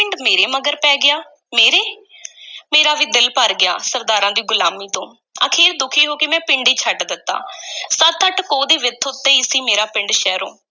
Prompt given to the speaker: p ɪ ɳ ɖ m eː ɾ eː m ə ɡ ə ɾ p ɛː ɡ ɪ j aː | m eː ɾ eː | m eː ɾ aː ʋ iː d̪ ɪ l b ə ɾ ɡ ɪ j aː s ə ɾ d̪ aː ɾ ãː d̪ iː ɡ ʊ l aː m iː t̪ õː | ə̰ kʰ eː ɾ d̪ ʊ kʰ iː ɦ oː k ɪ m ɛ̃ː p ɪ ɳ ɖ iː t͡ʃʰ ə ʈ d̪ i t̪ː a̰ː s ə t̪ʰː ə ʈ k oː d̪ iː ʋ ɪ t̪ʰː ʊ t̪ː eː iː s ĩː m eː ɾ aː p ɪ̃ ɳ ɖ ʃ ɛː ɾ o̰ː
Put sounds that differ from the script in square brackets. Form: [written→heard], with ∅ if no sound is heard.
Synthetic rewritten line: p ɪ ɳ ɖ m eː ɾ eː m ə ɡ ə ɾ p ɛː ɡ ɪ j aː | m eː ɾ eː | m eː ɾ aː ʋ iː d̪ ɪ l [b→p] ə ɾ ɡ ɪ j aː s ə ɾ d̪ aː ɾ ãː d̪ iː ɡ ʊ l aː m iː t̪ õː | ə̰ kʰ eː ɾ d̪ ʊ kʰ iː ɦ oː k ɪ m ɛ̃ː p ɪ ɳ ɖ iː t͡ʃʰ ə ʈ d̪ [i→ɪ] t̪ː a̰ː s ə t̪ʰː ə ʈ k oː d̪ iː ʋ ɪ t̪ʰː ʊ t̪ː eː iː s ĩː m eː ɾ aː p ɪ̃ ɳ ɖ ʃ ɛː ɾ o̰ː